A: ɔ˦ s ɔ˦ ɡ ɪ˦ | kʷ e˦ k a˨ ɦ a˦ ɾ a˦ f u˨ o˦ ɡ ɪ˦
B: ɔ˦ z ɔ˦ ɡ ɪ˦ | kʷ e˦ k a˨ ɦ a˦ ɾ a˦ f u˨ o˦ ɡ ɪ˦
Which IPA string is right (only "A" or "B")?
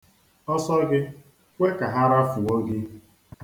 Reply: A